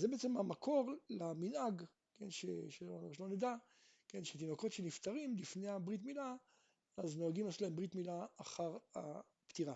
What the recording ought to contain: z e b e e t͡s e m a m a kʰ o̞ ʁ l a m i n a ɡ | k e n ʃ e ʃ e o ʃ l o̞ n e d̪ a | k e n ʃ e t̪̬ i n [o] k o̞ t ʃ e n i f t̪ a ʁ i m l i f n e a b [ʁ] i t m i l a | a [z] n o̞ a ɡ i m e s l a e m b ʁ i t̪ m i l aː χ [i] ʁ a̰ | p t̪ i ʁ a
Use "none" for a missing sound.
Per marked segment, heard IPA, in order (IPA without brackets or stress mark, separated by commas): o, ʁ, z, a